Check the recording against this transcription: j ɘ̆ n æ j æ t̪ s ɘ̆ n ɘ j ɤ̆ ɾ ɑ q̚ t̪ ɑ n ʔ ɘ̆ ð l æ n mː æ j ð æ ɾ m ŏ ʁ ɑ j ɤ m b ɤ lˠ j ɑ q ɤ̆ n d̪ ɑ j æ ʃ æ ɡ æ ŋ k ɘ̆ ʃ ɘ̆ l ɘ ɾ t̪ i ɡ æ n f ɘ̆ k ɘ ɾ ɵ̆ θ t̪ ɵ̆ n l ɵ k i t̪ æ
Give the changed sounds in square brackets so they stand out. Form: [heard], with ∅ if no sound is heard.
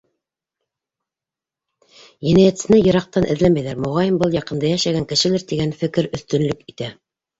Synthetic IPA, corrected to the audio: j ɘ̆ n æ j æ t̪ s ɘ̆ n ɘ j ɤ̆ ɾ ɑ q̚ t̪ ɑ n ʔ ɘ̆ ð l æ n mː æ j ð æ ɾ m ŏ ʁ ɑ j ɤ m b ɤ lˠ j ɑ q ɤ̆ n d̪ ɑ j æ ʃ æ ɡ æ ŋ k ɘ̆ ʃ ɘ̆ l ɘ ɾ t̪ i ɡ æ n f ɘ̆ k ɘ ɾ ɵ̆ θ t̪ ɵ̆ n l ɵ k i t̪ æ